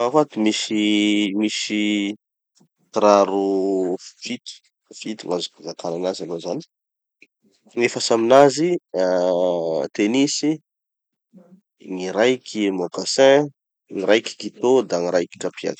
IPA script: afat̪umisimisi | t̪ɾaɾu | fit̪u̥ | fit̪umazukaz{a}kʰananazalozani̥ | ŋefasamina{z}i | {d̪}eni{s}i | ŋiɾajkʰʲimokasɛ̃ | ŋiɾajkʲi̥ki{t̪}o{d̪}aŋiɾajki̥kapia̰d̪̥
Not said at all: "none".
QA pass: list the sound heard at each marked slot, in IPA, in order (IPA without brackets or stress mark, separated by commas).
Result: a, z, t̪, s, t̪, d̪